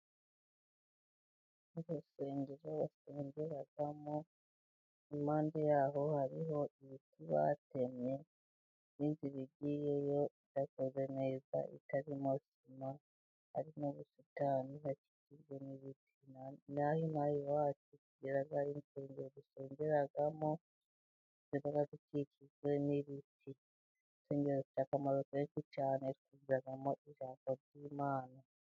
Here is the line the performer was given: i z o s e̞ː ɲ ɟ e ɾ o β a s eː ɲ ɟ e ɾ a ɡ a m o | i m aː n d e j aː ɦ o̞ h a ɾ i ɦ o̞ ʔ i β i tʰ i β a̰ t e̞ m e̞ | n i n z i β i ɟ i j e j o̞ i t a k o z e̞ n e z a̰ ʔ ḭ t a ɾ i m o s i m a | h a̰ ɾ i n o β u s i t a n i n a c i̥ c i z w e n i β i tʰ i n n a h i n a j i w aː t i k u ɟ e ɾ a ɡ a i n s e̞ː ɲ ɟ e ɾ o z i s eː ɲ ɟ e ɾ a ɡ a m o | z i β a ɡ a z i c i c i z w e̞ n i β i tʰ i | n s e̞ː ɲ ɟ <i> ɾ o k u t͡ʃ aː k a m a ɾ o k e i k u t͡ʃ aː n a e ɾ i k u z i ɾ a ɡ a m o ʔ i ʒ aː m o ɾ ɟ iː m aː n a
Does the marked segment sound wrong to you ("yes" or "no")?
yes